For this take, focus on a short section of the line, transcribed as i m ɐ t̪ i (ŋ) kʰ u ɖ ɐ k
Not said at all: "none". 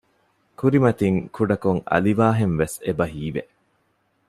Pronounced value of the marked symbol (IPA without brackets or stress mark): ŋ